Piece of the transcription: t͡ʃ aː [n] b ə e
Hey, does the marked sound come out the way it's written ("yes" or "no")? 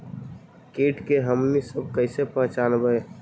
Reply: yes